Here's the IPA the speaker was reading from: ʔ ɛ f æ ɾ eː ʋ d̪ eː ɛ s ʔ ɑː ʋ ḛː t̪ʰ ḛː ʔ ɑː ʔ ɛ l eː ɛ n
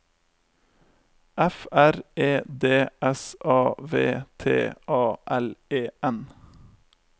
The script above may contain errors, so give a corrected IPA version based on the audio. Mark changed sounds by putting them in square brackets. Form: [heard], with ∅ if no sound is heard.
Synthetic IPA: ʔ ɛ f æ ɾ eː [∅] d̪ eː ɛ s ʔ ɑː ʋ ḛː t̪ʰ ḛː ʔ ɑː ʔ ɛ l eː ɛ n